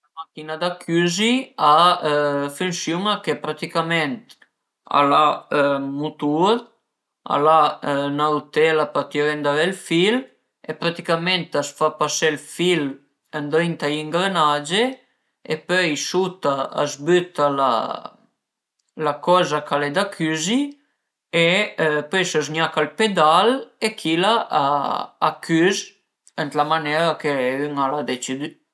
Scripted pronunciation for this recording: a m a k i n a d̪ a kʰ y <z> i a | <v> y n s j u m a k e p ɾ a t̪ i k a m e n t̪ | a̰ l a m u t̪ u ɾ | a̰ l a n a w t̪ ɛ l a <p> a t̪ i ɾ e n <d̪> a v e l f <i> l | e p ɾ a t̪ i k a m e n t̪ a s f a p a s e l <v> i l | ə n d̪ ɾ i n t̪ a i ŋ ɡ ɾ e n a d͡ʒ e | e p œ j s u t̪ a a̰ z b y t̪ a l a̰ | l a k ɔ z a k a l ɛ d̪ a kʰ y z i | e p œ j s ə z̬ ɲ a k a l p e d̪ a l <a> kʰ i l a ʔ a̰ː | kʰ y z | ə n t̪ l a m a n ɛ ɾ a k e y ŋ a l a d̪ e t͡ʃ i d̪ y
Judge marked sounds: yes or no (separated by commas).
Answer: yes, no, yes, yes, yes, no, no